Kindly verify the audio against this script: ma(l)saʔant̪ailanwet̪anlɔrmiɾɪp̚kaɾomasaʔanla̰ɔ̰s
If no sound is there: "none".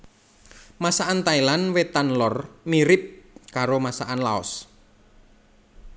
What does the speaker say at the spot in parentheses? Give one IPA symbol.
none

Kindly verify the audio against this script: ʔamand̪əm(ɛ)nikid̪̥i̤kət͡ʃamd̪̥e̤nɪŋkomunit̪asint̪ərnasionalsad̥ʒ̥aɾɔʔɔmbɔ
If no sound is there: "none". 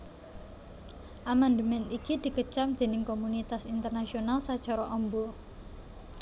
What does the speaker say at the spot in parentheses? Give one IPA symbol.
ɛ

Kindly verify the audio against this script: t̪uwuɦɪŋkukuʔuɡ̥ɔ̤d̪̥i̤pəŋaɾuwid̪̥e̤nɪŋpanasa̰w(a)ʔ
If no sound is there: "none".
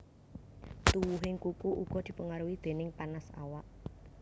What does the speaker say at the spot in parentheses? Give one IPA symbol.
a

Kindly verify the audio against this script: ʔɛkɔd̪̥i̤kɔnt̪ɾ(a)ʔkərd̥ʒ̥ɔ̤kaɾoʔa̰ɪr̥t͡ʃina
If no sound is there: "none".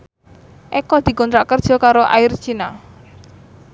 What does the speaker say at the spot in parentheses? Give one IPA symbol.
a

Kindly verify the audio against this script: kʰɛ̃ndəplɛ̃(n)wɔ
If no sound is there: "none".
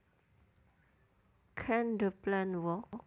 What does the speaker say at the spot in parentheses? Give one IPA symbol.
n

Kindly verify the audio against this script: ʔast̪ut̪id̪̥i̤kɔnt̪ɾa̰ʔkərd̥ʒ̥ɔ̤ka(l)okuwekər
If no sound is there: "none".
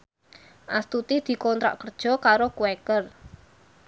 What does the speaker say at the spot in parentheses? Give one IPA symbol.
ɾ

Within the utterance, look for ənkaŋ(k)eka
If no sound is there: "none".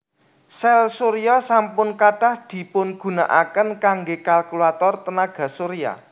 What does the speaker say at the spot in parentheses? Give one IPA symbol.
ɡ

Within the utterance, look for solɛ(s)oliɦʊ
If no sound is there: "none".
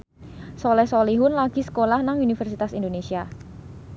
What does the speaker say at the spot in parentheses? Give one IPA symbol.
s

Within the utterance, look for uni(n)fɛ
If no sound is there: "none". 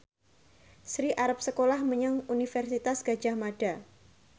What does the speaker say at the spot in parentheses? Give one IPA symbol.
none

